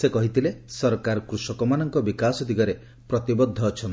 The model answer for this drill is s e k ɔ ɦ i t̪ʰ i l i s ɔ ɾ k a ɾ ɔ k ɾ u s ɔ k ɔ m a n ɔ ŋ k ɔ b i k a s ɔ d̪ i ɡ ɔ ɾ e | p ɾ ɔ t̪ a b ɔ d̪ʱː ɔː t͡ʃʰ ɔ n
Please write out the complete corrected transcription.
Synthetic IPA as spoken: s e k ɔ ɦ i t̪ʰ i l e s ɔ ɾ k a ɾ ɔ k ɾ u s ɔ k ɔ m a n ɔ ŋ k ɔ b i k a s ɔ d̪ i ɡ ɔ ɾ e | p ɾ ɔ t̪ i b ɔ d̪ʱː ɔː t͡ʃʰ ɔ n